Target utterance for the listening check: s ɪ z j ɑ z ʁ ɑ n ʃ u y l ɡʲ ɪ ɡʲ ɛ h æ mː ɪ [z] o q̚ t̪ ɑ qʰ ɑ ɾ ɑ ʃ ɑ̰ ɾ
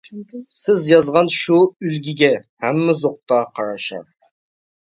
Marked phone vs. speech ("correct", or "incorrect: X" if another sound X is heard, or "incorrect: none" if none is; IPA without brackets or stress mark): correct